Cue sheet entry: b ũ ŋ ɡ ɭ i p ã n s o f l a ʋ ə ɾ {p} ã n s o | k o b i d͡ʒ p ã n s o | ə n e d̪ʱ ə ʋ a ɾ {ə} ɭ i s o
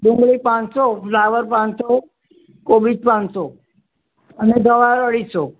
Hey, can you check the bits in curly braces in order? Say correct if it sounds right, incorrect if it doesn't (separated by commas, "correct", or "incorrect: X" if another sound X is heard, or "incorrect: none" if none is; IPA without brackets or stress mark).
correct, correct